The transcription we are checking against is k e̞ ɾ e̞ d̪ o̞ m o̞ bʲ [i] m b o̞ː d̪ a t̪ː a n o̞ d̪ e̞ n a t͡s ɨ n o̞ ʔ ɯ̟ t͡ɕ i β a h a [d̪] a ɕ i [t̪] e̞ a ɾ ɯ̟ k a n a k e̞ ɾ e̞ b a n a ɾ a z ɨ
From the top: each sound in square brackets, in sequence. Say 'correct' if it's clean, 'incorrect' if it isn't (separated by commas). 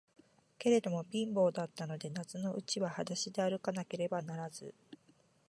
incorrect, correct, incorrect